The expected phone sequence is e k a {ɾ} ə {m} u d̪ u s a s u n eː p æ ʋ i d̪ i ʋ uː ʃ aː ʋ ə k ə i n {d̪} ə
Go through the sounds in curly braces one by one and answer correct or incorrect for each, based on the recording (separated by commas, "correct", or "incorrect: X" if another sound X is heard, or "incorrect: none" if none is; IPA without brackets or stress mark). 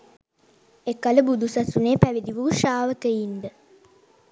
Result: incorrect: l, incorrect: b, correct